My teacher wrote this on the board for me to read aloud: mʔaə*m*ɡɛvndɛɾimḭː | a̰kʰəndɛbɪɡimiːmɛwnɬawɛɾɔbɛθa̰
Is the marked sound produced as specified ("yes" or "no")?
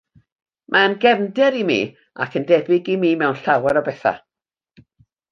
no